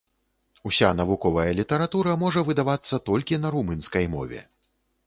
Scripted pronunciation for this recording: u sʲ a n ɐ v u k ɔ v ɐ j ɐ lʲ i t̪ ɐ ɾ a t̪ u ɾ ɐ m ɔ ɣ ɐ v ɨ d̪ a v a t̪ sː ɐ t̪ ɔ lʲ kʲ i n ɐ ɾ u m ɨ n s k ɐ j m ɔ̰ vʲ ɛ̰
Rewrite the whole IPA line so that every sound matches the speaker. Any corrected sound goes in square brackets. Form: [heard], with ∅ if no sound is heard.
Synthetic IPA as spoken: u sʲ a n ɐ v u k ɔ v ɐ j ɐ lʲ i t̪ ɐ ɾ a t̪ u ɾ ɐ m ɔ [ʐ] ɐ v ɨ d̪ a v a t̪ sː ɐ t̪ ɔ lʲ kʲ i n ɐ ɾ u m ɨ n s k ɐ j m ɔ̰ vʲ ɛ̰